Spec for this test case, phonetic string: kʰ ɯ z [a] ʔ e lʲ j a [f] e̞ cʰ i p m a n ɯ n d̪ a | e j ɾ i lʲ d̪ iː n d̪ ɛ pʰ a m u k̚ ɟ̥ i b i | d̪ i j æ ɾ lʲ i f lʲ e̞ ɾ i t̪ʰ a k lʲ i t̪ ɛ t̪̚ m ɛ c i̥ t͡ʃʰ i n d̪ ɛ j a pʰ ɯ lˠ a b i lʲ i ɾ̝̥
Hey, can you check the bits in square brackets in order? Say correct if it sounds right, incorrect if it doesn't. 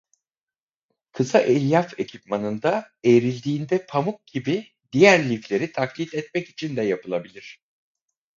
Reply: correct, correct

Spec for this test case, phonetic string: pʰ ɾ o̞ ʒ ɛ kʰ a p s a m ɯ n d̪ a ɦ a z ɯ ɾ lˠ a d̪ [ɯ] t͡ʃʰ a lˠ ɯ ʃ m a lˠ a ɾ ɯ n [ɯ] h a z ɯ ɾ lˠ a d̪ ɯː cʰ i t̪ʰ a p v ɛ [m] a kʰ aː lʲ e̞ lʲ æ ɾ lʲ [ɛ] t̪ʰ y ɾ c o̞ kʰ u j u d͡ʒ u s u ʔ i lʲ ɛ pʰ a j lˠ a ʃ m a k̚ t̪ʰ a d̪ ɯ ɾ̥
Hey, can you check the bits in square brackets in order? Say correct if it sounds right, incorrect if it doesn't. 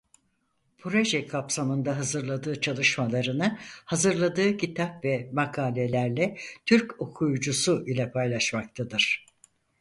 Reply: incorrect, correct, correct, correct

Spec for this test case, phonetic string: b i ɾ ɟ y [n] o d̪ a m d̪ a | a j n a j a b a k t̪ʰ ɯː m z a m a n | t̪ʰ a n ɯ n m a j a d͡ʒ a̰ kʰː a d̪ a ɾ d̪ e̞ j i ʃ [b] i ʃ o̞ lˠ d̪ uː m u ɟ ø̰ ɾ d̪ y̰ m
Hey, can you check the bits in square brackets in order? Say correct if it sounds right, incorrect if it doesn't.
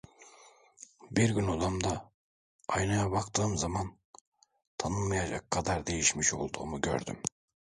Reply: correct, incorrect

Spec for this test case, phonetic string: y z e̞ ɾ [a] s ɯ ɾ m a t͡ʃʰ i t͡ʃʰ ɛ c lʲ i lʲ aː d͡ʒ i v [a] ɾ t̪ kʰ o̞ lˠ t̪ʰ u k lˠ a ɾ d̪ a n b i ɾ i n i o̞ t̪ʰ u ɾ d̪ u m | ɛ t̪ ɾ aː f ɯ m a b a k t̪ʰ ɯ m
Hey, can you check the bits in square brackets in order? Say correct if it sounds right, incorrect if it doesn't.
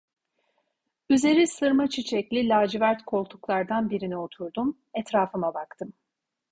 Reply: incorrect, incorrect

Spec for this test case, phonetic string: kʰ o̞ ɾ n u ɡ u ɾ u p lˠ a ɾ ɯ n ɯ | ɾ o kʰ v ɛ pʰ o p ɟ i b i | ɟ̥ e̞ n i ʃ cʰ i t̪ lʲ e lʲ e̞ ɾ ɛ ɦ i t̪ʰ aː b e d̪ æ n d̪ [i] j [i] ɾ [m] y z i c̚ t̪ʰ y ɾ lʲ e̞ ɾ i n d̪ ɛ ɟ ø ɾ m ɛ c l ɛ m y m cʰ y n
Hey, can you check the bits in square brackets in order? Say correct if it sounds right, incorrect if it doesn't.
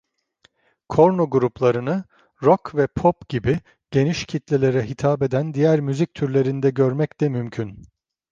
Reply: correct, incorrect, correct

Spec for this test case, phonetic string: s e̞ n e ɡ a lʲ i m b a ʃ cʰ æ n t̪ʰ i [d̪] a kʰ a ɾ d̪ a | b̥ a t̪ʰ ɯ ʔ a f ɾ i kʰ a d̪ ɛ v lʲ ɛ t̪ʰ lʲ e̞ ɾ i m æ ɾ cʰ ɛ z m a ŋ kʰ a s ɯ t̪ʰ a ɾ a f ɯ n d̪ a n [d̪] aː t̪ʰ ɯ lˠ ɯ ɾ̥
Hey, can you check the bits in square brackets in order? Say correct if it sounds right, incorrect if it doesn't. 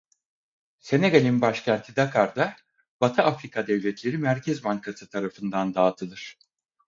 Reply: correct, correct

